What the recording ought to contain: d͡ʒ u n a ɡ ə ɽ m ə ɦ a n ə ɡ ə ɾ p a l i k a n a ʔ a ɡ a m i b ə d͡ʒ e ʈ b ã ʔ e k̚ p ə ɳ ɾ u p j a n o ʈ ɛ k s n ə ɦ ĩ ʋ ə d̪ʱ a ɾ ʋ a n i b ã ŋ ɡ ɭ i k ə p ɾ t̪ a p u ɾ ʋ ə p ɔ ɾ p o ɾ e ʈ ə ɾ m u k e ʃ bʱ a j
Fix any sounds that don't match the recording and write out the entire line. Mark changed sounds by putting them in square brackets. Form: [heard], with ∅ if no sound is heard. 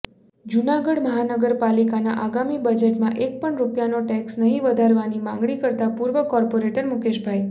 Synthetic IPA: d͡ʒ u n a ɡ ə ɽ m ə ɦ a n ə ɡ ə ɾ p a l i k a n a ʔ a ɡ a m i b ə d͡ʒ e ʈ [m] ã ʔ e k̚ p ə ɳ ɾ u p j a n o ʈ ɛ k s n ə ɦ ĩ ʋ ə d̪ʱ a ɾ ʋ a n i [m] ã ŋ ɡ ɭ i k ə [∅] ɾ t̪ a p u ɾ ʋ ə [k] ɔ ɾ p o ɾ e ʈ ə ɾ m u k e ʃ bʱ a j